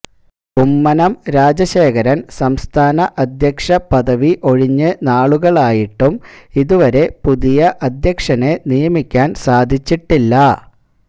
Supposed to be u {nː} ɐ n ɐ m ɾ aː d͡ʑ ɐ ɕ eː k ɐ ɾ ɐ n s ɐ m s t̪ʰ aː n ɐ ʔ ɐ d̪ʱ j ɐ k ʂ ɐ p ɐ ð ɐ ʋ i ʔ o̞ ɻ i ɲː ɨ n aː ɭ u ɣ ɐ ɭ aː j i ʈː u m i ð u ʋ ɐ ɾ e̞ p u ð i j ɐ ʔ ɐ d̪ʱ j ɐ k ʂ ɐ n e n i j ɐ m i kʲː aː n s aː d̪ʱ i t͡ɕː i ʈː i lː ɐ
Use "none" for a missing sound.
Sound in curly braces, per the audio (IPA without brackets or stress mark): mː